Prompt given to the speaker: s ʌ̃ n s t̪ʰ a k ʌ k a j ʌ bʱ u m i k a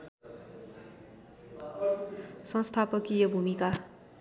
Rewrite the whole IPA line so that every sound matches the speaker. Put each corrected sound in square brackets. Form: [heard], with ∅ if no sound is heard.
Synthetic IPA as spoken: s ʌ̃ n s t̪ʰ a [p] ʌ k [i] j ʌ bʱ u m i k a